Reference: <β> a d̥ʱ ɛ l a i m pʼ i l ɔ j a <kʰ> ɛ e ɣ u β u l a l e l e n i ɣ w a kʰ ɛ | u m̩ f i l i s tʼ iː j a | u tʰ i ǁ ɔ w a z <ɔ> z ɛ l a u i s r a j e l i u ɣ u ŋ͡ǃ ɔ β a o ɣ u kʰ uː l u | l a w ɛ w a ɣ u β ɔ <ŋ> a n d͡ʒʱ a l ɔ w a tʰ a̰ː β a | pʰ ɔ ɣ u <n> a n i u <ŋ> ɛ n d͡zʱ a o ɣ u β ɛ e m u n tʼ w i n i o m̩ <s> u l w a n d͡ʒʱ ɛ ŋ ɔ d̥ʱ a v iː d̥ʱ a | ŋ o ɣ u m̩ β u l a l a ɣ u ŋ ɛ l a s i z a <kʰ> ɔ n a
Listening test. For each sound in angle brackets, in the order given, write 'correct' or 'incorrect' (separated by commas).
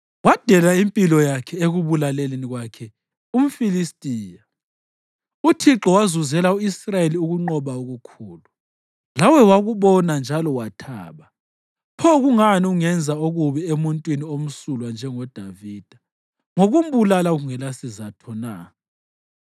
incorrect, correct, incorrect, incorrect, incorrect, correct, correct, incorrect